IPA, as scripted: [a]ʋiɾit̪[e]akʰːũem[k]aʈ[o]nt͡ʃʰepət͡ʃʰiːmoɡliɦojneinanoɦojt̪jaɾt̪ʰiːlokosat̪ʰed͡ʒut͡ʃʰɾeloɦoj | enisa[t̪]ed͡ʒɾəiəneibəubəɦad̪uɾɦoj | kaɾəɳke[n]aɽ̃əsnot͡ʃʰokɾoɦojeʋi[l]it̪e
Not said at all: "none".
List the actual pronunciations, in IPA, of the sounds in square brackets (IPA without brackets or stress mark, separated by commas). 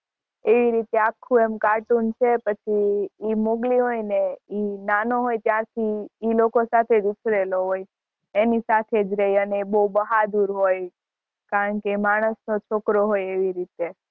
e, e, k, u, t̪ʰ, m, ɾ